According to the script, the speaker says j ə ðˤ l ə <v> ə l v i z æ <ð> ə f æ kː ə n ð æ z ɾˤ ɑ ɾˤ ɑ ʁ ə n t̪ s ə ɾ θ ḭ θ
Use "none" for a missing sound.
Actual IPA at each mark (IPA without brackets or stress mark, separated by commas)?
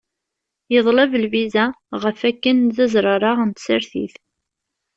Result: v, ʁ